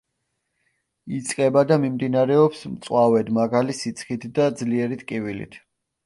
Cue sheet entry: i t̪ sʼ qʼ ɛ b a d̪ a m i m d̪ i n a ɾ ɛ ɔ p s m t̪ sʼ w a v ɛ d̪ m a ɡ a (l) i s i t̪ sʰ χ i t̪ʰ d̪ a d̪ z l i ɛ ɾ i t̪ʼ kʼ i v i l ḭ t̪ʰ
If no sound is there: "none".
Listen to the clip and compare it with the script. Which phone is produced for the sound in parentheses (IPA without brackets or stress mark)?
l